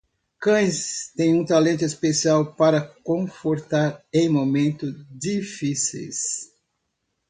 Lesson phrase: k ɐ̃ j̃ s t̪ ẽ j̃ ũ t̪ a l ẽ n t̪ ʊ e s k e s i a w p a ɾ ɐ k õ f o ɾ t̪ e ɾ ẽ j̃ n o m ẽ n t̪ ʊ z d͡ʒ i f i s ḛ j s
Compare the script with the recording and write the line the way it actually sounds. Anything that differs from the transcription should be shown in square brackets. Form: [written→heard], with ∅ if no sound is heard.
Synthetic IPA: k ɐ̃ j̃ s t̪ ẽ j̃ ũ t̪ a l ẽ n t̪ ʊ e s [k→p] e s i a w p a ɾ ɐ k õ f o ɾ t̪ [e→a] ɾ ẽ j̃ [n→m] o m ẽ n t̪ ʊ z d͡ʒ i f i s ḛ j s